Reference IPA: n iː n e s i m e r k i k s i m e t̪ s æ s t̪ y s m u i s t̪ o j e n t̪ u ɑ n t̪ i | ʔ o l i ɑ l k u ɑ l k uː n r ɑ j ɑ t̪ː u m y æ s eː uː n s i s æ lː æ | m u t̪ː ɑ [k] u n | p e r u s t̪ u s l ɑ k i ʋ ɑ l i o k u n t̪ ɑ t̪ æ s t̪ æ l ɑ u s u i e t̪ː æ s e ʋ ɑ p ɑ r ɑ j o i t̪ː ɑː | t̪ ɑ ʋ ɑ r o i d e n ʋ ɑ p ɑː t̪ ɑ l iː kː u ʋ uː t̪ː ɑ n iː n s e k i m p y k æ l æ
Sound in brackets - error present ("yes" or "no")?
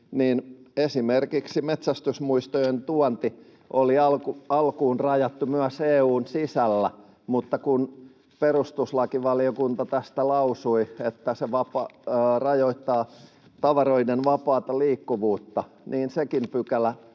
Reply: no